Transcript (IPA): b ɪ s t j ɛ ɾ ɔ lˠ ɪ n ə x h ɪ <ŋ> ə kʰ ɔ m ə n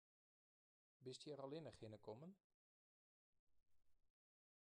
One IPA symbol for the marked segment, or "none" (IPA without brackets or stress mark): n